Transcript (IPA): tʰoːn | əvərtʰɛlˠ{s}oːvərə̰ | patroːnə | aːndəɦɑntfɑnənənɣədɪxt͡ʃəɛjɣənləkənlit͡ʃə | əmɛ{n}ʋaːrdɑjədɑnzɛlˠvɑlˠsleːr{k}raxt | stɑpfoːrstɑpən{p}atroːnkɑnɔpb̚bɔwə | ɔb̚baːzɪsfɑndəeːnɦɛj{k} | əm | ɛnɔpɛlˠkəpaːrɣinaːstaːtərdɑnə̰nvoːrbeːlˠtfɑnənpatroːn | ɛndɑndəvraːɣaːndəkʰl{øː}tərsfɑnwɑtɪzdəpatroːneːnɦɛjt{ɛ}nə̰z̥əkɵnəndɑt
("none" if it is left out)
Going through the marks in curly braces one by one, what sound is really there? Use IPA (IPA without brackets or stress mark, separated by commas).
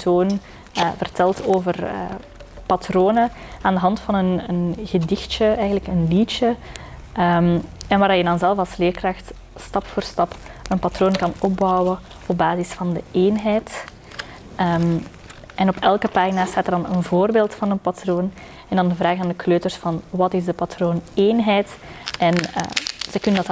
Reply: t, n, k, p, t, øː, ɛ